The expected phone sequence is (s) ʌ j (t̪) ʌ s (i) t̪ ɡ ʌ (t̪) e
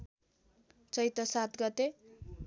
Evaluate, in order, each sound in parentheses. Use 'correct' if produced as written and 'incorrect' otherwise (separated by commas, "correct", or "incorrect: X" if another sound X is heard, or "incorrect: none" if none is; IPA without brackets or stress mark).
incorrect: t͡s, correct, incorrect: a, correct